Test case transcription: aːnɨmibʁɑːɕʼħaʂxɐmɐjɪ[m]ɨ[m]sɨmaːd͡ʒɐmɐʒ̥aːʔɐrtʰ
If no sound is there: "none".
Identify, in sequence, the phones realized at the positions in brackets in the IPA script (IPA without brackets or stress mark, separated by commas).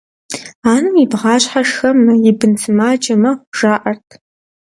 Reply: b, n